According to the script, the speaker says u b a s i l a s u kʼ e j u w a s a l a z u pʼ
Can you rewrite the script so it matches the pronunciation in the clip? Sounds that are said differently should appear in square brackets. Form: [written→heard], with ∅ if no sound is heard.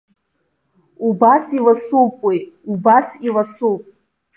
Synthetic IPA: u b a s i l a s u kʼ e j u [w→b] a s [a→i] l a [z→s] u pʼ